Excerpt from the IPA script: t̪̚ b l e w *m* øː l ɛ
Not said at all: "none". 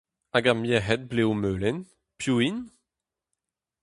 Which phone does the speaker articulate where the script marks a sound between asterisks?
m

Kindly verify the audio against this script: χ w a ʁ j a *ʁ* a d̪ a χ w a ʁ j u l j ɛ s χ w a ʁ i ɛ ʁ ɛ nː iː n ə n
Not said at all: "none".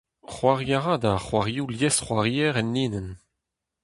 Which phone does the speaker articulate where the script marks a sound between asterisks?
ʁ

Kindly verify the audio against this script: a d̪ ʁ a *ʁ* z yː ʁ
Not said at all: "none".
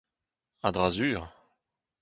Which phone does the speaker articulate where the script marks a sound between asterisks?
none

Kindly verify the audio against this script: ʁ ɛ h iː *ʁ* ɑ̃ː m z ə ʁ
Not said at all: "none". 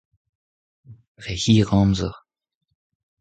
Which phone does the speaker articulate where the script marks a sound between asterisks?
ʁ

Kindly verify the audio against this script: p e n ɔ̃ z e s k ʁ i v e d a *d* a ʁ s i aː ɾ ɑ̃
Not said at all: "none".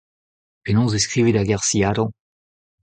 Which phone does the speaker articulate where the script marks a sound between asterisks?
ɡ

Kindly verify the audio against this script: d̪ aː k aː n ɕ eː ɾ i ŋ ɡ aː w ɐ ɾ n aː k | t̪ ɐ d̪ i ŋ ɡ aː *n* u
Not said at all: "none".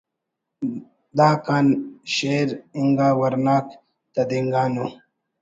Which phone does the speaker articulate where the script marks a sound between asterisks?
n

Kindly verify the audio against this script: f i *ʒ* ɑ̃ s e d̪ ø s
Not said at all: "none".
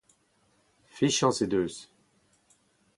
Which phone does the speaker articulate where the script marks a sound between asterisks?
ʃ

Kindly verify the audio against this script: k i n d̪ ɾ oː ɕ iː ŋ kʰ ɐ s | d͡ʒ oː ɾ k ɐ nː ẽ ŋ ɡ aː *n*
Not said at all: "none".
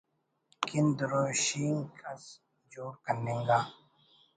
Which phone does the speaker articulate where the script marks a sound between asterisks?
none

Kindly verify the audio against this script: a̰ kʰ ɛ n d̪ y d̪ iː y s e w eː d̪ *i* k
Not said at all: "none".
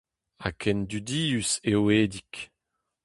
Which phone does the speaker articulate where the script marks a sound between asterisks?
i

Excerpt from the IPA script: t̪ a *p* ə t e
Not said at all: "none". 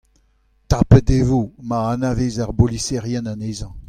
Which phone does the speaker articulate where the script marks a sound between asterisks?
p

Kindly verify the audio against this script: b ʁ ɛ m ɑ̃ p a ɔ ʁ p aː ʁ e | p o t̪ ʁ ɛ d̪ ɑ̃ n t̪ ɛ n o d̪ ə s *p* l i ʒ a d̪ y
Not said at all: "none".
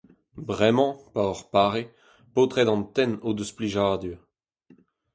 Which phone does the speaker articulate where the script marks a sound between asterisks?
p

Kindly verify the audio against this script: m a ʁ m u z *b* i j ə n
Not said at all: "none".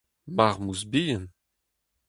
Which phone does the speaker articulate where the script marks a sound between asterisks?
b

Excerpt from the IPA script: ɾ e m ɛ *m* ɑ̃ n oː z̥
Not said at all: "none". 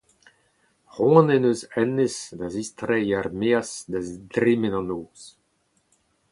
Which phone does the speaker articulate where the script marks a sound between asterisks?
n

